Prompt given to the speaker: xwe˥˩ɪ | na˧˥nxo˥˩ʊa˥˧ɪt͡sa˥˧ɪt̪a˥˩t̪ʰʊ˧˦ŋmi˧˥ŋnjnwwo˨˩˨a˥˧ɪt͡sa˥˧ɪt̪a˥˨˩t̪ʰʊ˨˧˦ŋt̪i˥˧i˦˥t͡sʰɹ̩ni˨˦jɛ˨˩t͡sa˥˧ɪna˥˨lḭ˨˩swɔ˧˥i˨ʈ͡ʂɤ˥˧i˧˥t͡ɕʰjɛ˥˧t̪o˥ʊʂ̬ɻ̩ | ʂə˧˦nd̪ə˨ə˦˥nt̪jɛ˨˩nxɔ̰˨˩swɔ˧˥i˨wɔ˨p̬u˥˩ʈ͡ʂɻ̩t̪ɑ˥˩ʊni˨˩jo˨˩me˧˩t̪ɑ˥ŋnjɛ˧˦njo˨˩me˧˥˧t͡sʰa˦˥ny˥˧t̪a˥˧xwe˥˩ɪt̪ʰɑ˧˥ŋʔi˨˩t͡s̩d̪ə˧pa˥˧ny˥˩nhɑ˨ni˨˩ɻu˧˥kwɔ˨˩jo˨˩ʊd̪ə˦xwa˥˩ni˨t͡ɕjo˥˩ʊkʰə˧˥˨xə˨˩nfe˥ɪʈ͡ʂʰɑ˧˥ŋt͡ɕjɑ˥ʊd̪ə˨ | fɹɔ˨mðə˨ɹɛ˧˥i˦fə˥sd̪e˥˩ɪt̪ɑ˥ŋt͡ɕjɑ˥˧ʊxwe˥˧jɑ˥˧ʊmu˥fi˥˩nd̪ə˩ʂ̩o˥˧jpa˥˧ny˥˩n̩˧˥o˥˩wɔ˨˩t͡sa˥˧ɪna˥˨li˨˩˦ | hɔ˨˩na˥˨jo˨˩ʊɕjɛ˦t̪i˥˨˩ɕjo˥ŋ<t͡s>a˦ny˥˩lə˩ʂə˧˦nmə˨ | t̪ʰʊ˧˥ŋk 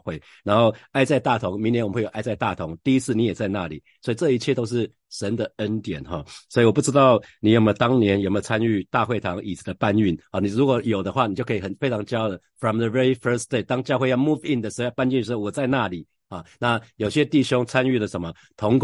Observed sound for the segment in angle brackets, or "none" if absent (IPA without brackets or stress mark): t͡sʰ